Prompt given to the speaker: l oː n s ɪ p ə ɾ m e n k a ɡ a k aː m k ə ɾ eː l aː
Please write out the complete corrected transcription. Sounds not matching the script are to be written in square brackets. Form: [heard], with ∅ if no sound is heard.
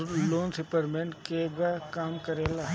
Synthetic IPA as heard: l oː n s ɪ p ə ɾ m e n k [e] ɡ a k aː m k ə ɾ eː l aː